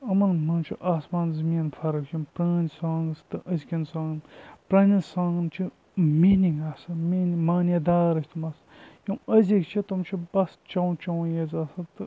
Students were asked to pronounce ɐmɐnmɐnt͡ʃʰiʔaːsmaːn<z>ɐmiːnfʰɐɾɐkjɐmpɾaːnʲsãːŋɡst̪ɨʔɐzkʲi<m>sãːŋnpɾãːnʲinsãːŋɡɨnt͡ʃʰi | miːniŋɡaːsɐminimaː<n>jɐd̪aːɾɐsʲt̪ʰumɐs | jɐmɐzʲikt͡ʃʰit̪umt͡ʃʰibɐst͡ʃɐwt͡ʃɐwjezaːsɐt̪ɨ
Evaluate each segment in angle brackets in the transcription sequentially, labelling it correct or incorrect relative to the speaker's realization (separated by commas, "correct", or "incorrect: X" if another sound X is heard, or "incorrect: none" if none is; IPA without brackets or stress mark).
correct, incorrect: n, correct